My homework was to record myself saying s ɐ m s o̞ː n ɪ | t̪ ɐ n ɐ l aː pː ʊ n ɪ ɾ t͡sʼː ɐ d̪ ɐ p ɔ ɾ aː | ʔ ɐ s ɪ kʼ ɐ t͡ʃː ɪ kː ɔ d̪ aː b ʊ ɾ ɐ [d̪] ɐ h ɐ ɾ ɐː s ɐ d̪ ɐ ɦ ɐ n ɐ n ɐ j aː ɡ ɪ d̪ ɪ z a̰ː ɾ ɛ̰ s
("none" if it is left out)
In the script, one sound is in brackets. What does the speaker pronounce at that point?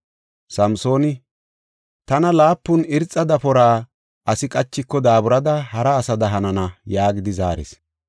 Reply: d̪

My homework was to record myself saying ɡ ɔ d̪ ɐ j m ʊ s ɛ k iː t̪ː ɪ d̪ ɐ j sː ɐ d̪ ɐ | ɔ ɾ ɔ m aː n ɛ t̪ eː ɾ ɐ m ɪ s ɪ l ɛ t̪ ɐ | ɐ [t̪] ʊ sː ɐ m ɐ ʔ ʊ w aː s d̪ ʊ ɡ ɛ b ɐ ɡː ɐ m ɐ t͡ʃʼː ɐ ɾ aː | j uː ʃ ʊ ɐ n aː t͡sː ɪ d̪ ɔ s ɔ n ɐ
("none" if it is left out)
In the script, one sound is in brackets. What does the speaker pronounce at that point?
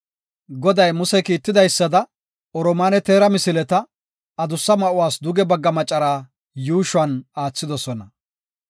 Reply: d̪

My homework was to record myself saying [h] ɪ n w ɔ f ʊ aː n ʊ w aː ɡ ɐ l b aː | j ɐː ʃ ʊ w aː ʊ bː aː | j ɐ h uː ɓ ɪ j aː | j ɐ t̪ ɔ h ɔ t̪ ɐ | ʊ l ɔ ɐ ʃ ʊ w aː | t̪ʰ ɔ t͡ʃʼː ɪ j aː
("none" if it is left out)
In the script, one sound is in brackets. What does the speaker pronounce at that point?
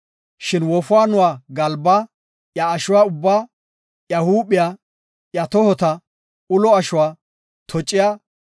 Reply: ʃ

